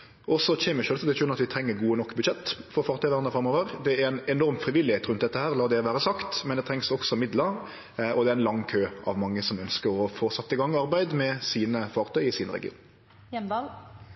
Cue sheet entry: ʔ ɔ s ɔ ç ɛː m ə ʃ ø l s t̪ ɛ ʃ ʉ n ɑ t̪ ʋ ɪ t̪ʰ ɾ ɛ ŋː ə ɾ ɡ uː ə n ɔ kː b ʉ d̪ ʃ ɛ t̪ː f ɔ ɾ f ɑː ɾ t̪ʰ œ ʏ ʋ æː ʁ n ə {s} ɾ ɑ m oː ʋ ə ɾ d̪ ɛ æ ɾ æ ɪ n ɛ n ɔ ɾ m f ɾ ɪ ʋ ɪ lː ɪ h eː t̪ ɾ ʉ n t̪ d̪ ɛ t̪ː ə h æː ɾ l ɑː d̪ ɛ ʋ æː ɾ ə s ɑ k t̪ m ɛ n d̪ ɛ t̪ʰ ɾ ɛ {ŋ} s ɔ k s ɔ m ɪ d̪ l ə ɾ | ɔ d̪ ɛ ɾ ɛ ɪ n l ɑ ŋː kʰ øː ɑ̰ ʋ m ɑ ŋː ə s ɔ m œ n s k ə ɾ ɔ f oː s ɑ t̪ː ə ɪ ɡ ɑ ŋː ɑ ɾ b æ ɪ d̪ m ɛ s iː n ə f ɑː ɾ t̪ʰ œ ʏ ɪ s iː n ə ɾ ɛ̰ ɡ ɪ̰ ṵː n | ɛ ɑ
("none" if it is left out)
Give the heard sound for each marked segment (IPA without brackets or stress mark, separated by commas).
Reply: f, ŋ